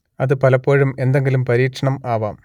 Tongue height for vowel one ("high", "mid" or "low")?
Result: low